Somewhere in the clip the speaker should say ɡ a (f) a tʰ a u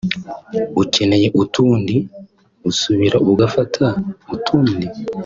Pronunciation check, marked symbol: correct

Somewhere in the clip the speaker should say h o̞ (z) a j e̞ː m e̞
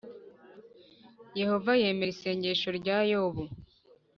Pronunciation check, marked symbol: incorrect: v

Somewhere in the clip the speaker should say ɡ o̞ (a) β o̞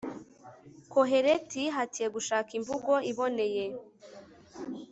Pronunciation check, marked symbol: incorrect: i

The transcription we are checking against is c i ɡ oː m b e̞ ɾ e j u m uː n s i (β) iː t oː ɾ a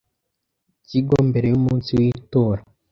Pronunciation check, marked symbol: incorrect: w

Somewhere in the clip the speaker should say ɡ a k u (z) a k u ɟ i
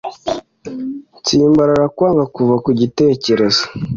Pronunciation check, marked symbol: incorrect: v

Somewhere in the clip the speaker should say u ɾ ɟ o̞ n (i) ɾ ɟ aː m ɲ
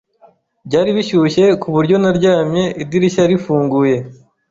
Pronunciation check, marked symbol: incorrect: a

